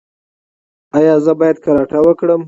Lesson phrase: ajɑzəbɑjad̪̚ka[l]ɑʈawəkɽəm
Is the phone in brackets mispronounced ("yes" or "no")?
yes